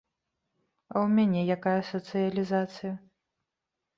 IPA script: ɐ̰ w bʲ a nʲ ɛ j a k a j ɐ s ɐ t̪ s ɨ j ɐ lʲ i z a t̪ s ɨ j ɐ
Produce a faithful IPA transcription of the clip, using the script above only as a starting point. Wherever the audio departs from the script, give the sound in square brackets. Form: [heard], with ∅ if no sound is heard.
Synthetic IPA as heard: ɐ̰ w [mʲ] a nʲ ɛ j a k a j ɐ s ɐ t̪ s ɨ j ɐ lʲ i z a t̪ s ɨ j ɐ